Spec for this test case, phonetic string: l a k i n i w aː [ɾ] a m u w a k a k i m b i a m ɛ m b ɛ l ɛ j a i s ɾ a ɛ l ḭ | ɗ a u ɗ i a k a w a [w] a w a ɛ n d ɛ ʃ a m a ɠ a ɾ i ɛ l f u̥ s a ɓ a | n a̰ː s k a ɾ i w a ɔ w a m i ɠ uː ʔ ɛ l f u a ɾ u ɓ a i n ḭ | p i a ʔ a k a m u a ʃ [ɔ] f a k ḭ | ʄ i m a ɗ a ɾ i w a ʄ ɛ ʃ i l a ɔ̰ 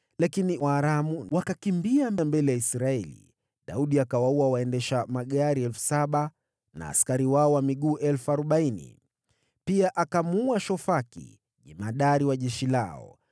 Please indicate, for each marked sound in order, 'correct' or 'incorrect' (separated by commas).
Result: correct, incorrect, correct